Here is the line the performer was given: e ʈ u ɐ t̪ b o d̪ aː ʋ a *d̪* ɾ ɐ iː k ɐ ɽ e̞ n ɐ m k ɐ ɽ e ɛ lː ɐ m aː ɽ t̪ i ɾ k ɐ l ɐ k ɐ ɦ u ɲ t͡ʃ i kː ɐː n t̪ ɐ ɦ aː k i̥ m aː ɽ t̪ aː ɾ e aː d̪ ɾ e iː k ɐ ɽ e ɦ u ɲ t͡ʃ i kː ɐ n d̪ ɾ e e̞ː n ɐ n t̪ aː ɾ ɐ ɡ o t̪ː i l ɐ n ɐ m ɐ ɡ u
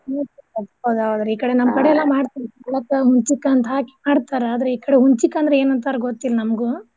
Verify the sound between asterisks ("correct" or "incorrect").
correct